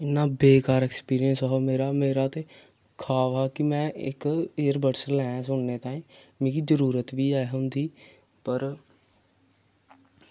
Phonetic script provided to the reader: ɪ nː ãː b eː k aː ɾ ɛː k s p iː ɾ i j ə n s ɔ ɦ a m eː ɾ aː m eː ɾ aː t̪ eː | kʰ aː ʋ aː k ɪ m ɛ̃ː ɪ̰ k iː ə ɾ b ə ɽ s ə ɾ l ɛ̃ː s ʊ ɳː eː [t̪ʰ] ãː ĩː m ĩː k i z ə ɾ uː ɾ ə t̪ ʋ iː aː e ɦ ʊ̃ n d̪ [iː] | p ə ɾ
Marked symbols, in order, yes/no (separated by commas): no, yes